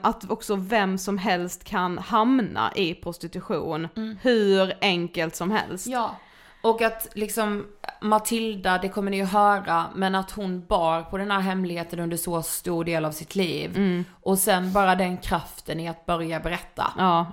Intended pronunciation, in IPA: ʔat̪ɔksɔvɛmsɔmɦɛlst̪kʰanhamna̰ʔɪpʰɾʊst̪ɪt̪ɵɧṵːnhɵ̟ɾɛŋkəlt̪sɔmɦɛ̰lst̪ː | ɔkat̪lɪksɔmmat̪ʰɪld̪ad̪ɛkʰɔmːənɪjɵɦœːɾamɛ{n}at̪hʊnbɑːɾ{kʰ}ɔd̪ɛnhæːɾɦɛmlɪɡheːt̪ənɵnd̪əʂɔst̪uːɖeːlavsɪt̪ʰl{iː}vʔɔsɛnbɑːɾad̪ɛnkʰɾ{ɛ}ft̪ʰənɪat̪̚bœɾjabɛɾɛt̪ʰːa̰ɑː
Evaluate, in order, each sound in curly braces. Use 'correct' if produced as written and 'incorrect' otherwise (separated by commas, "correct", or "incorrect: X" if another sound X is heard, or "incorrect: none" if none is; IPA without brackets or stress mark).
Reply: correct, incorrect: pʰ, correct, incorrect: a